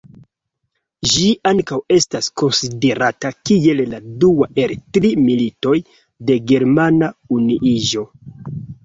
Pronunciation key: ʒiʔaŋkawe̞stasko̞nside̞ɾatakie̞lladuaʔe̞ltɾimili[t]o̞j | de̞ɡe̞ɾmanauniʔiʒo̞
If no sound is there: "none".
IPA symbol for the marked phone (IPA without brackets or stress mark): t